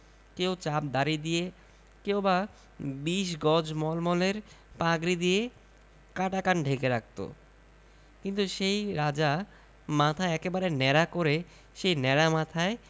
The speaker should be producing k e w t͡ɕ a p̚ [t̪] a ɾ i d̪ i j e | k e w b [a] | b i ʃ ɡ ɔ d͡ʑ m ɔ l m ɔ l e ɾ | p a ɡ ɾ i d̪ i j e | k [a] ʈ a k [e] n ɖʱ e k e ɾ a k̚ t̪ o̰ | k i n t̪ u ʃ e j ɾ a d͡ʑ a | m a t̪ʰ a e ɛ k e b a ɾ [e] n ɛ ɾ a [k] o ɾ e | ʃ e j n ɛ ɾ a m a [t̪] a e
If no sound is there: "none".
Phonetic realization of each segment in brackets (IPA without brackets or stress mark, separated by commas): d̪, a, a, a, e, k, t̪ʰ